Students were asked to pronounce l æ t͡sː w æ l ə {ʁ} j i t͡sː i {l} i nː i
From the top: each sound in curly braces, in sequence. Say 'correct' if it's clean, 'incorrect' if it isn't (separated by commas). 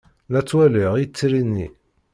correct, incorrect